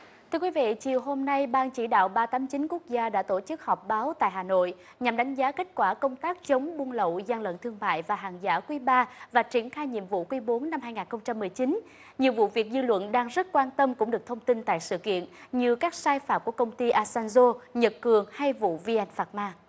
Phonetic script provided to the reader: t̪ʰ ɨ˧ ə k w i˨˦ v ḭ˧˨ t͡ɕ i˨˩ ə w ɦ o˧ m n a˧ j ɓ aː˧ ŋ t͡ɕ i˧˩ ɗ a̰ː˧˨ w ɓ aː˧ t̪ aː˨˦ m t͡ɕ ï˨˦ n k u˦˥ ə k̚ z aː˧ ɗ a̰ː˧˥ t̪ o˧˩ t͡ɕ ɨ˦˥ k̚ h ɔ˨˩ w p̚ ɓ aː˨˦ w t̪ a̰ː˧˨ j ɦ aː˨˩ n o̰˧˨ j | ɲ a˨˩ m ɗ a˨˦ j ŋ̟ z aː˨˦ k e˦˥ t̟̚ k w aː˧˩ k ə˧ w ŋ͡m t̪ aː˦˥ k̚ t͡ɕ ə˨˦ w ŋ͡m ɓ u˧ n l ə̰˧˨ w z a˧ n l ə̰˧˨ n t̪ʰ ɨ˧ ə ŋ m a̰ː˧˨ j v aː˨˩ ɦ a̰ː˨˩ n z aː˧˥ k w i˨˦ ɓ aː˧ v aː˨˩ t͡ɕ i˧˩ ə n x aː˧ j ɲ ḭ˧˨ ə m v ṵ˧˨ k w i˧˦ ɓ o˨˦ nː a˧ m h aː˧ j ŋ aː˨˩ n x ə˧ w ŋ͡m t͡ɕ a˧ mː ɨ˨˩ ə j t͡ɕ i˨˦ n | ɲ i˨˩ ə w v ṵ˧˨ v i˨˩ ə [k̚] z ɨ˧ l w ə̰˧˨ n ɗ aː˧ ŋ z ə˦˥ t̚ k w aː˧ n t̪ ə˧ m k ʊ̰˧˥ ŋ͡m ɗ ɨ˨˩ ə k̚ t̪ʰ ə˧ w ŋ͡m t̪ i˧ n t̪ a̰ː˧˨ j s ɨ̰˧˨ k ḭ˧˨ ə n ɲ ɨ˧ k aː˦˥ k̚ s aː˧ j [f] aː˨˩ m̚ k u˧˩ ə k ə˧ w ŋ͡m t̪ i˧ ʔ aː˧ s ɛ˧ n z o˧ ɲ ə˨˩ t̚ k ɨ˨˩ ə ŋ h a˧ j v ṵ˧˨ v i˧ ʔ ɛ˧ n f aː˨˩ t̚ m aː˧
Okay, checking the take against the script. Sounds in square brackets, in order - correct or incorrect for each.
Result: correct, correct

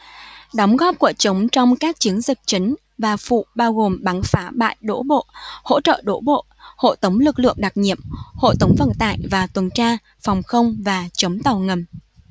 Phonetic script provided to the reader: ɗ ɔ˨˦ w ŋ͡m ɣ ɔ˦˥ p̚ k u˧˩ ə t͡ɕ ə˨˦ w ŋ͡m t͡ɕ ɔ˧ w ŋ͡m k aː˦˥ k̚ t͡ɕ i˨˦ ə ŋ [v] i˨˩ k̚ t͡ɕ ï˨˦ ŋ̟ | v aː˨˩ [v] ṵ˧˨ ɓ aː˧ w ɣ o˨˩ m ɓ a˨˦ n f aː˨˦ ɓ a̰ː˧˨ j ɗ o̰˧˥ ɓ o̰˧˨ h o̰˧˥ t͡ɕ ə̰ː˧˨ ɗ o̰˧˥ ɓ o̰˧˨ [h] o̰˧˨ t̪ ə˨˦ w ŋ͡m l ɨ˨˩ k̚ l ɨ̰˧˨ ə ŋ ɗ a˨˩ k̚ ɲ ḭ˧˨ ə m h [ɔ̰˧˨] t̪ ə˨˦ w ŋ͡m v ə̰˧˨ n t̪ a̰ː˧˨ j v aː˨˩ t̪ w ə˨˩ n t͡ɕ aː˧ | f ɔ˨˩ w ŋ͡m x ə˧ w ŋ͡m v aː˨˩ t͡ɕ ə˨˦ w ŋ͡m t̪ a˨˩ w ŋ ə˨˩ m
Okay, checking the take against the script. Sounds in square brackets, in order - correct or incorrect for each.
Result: incorrect, incorrect, correct, incorrect

